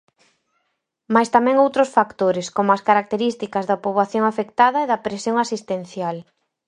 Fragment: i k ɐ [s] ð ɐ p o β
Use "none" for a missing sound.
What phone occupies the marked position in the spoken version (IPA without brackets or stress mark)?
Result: z